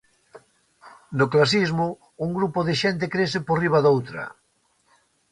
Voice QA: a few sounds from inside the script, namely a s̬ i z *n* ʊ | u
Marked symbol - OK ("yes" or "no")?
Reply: no